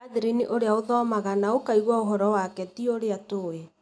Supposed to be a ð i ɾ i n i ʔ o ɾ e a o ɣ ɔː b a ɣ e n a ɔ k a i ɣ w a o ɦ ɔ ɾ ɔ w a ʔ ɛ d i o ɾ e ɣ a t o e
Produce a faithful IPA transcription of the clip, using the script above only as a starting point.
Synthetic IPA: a ð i ɾ i n i ʔ o ɾ e a o ð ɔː m a ɣ a n a o k a i ɣ w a o ɦ ɔ ɾ ɔ w a k ɛ t i o ɾ e a t o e